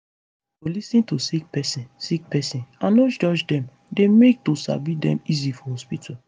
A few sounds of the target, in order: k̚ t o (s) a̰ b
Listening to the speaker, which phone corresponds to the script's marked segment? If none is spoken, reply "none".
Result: s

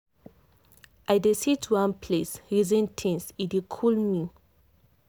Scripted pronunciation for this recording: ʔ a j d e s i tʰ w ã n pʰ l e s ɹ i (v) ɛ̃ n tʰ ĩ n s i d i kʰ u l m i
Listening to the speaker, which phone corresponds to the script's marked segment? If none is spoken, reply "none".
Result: z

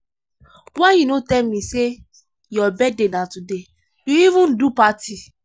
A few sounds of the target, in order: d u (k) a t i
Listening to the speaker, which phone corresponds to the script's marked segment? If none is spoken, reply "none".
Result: p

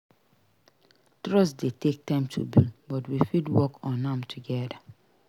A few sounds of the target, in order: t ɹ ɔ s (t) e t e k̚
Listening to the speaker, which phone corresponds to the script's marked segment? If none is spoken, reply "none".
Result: d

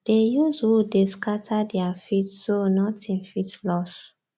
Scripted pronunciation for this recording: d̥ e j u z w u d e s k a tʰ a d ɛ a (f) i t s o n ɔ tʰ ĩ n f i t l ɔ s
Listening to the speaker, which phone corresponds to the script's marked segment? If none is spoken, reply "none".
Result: f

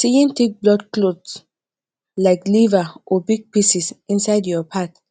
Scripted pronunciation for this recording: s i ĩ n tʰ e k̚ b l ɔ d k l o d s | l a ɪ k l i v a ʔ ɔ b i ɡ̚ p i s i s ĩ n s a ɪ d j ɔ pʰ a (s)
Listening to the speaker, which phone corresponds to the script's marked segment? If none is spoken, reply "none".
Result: t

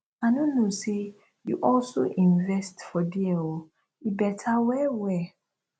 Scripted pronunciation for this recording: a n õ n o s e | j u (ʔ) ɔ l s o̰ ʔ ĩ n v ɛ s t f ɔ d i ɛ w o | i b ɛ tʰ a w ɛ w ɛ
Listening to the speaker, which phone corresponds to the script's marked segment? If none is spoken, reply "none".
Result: ʔ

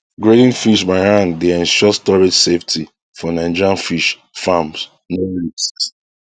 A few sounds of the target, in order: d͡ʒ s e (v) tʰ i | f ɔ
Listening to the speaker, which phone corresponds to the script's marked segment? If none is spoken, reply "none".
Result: f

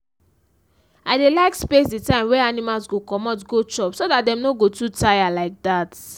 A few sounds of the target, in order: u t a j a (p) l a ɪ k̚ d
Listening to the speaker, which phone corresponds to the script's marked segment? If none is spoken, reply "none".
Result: none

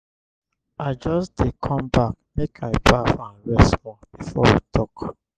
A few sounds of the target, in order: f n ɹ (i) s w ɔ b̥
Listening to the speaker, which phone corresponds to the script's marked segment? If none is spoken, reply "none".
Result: ɛ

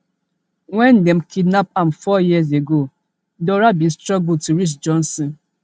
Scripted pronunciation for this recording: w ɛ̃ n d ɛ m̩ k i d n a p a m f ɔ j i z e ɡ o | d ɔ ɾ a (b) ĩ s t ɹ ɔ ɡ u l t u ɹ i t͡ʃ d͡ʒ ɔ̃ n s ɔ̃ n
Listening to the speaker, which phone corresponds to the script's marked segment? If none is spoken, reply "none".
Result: b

